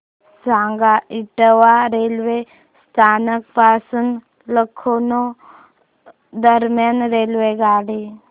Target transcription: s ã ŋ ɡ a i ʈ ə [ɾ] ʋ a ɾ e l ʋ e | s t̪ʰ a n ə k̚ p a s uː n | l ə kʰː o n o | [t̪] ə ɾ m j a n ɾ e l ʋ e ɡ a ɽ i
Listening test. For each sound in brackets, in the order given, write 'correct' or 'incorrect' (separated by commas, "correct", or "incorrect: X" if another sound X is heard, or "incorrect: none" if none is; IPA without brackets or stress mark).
incorrect: none, incorrect: d̪